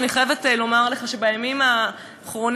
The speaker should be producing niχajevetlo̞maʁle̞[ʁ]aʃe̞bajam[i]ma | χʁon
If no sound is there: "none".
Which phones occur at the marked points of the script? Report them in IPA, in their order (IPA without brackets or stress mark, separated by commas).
χ, i